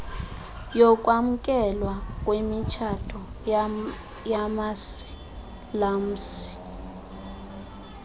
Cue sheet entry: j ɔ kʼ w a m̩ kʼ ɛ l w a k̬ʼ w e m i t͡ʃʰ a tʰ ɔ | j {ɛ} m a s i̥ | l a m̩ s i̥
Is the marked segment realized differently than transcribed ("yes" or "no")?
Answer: yes